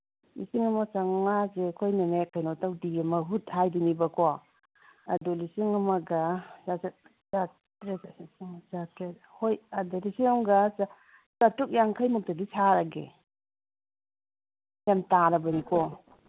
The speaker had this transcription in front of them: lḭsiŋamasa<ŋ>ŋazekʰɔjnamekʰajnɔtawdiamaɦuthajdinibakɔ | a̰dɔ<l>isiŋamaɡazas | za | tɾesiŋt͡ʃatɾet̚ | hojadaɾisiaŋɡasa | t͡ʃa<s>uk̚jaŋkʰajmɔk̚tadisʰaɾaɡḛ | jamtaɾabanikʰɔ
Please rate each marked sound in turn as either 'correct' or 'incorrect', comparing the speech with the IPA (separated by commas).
correct, correct, incorrect